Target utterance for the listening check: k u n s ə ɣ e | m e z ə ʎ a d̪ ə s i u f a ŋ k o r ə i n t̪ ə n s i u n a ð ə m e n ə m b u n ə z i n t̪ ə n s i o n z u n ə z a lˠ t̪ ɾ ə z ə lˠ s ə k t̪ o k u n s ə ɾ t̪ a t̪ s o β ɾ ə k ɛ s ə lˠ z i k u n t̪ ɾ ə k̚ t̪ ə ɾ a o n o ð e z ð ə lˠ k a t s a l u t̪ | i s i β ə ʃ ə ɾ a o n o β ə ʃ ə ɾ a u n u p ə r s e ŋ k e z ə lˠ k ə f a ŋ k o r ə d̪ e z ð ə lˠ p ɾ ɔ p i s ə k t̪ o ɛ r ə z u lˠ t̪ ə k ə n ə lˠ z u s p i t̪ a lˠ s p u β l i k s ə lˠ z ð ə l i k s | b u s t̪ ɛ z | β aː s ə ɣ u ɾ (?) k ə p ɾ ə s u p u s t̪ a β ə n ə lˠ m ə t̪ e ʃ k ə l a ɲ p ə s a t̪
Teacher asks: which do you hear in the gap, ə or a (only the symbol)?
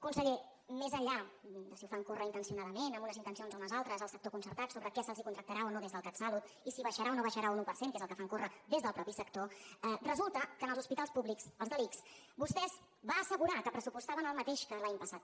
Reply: a